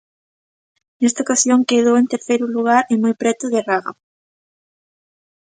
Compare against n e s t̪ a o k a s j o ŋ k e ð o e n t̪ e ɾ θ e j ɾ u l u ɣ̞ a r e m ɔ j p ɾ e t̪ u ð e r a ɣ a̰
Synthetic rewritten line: n e s t̪ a o k a s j o ŋ k e ð o e n t̪ e ɾ θ e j ɾ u l u ɣ̞ a ɾ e m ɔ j p ɾ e t̪ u ð e r a ɣ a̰